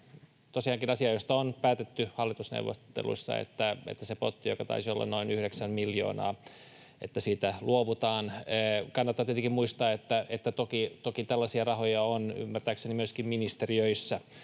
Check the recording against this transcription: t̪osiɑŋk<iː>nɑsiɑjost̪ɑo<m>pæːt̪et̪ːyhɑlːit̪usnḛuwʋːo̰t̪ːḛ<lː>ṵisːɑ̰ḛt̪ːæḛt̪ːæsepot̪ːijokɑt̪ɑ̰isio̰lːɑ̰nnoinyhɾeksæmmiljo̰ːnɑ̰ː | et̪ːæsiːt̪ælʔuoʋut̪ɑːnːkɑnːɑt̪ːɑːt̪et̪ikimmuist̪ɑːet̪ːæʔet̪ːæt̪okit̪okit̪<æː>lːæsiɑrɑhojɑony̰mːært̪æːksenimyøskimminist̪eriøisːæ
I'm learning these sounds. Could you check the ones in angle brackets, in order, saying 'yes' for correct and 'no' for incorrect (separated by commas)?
no, no, no, no